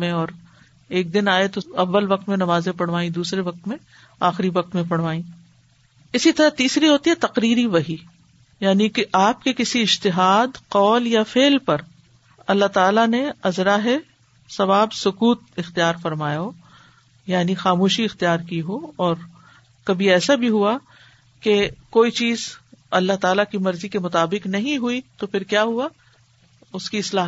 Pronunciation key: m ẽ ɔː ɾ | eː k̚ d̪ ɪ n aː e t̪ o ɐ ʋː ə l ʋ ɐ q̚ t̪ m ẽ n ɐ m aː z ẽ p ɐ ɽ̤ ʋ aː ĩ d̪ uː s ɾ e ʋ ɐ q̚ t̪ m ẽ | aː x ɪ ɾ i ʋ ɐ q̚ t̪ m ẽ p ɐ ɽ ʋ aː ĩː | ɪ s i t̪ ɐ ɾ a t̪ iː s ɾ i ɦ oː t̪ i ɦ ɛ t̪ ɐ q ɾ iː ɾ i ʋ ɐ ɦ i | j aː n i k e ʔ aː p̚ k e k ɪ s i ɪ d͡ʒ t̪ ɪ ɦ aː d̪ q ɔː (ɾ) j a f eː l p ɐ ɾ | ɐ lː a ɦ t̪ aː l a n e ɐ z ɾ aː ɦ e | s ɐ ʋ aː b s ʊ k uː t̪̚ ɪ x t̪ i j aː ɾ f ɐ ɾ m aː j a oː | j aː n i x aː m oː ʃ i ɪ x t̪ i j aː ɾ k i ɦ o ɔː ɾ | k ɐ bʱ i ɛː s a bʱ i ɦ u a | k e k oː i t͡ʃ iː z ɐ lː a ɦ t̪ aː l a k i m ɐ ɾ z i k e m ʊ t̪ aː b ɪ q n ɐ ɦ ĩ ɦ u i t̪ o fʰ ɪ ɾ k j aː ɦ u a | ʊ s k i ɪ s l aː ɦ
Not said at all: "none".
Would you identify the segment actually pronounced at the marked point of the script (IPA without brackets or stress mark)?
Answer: l